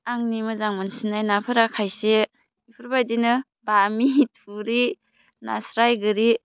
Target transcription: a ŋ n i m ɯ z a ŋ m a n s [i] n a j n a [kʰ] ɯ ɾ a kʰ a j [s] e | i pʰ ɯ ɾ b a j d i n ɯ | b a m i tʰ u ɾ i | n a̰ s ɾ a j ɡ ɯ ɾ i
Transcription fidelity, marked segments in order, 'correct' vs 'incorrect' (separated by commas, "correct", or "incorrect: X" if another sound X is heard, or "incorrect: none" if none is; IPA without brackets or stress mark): correct, incorrect: pʰ, correct